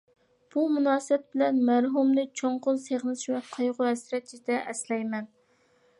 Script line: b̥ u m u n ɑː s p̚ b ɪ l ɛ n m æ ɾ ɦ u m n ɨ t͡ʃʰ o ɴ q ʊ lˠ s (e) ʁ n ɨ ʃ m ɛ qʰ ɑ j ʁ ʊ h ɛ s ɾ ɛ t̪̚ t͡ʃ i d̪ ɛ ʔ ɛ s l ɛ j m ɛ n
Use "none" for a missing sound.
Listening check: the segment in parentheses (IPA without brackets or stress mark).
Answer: e